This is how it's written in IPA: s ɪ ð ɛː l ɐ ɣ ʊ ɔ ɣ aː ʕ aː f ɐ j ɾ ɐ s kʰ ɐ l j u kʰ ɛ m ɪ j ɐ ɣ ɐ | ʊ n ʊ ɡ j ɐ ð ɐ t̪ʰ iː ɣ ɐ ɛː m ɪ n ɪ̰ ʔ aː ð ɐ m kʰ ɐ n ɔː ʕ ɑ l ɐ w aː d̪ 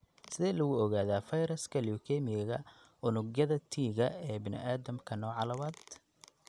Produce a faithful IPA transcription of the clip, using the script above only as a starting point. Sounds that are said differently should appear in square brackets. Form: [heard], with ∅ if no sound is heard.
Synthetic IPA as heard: s ɪ ð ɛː l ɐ ɣ ʊ ɔ ɣ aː [ð] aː f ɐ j ɾ ɐ s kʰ ɐ l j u kʰ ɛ m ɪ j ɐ ɣ ɐ | ʊ n ʊ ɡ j ɐ ð ɐ t̪ʰ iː ɣ ɐ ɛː [b] ɪ n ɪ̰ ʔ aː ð ɐ m kʰ ɐ n ɔː ʕ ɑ l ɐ w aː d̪